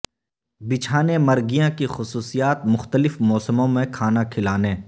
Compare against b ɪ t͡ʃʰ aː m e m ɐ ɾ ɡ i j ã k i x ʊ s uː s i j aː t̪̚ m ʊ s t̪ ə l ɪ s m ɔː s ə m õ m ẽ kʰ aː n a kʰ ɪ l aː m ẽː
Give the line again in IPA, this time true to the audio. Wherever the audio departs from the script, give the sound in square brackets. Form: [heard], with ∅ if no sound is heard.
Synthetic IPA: b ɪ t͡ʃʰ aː [n] e m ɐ ɾ ɡ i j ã k i x ʊ s uː s i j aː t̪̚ m ʊ [x] t̪ ə l ɪ [f] m ɔː s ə m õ m ẽ kʰ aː n a kʰ ɪ l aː [n] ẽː